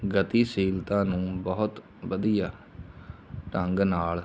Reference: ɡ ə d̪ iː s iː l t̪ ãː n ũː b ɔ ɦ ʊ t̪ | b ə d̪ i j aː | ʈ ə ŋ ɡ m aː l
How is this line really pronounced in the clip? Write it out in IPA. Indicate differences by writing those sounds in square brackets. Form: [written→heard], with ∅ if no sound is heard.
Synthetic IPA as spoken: ɡ ə [d̪→t̪] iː s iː l t̪ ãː n ũː b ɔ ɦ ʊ t̪ | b ə d̪ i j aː | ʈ ə ŋ ɡ [m→n] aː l